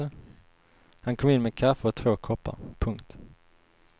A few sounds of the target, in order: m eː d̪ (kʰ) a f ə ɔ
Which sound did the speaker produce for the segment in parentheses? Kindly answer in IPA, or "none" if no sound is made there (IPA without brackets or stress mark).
kʰ